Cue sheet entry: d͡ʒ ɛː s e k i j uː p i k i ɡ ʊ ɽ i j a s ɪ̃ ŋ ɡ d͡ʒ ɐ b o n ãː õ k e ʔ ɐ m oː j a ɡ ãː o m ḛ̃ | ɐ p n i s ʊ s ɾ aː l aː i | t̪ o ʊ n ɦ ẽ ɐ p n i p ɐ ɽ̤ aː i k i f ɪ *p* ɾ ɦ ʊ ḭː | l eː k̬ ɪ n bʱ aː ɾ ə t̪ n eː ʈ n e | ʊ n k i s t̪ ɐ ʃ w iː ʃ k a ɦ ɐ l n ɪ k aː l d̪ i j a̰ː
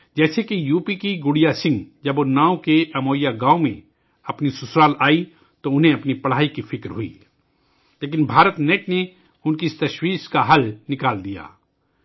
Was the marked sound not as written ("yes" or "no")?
yes